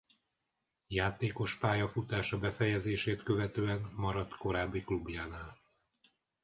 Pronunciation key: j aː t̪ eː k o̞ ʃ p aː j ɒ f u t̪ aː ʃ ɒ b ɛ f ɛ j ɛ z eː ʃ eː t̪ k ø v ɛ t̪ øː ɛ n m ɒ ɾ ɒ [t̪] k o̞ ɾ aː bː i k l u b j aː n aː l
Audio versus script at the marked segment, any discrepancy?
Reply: no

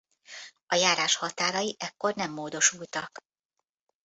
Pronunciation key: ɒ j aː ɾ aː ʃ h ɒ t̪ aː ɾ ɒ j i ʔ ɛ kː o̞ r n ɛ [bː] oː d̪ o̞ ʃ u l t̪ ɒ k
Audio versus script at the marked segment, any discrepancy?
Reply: yes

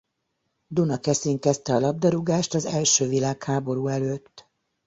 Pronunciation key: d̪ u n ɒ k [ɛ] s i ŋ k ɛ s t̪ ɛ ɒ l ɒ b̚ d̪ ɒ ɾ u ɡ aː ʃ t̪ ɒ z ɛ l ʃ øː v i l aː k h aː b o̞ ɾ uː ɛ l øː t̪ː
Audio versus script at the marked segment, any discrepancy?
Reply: no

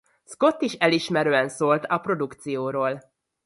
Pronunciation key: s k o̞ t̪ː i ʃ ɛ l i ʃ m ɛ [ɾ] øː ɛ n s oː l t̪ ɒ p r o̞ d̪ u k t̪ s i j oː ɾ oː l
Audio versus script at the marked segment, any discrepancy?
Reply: no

